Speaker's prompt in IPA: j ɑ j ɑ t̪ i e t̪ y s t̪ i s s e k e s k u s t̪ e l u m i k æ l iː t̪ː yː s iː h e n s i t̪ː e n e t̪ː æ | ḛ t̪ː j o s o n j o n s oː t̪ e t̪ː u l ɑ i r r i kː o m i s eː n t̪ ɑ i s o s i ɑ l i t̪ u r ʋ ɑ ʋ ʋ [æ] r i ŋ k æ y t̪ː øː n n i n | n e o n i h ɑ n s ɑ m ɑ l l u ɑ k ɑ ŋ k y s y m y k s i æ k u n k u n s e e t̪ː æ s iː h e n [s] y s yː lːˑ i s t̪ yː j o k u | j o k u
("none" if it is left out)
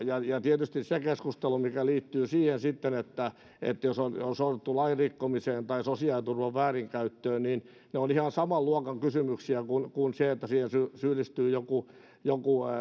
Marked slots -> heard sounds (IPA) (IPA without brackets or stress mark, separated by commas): æː, s